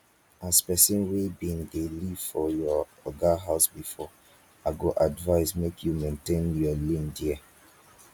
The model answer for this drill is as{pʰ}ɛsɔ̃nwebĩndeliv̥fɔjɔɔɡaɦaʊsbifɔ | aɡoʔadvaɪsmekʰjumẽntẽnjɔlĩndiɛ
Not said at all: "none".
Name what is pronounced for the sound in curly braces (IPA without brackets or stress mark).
p